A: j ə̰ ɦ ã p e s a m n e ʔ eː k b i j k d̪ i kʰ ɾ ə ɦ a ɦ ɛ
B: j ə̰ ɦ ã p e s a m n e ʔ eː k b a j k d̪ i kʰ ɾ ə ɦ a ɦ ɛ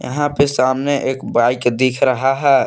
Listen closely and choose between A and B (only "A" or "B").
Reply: B